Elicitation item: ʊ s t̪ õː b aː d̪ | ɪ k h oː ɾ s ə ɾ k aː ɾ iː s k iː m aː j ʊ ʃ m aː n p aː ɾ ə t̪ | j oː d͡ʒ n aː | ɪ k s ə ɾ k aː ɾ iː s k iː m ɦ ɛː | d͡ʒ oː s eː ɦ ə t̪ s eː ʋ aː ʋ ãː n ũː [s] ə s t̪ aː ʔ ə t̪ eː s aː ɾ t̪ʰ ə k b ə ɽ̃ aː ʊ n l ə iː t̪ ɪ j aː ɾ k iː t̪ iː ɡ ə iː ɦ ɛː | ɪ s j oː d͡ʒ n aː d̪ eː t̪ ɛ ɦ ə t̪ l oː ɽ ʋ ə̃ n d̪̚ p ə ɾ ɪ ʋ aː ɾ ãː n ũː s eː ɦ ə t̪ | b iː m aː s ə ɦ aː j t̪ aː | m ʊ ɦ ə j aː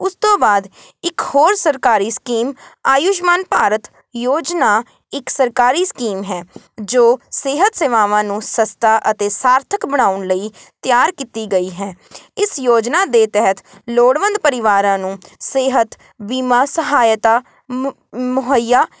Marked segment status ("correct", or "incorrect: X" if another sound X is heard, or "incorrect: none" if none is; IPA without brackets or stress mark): correct